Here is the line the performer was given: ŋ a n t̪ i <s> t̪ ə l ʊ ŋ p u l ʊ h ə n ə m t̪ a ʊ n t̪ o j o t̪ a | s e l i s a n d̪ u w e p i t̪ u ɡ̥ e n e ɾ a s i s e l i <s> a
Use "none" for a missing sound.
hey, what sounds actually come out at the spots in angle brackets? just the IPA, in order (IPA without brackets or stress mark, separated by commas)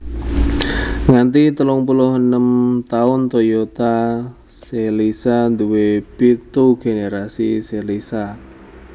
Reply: none, s